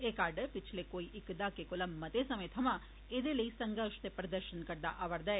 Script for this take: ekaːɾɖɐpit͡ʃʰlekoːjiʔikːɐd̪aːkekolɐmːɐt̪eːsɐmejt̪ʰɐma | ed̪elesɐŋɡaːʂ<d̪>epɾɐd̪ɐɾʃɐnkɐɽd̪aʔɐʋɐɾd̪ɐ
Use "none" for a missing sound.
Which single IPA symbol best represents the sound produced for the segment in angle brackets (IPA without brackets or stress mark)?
t̪